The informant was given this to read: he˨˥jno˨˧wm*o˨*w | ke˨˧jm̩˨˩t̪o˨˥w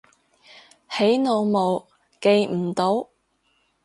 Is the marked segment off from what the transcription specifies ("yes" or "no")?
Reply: no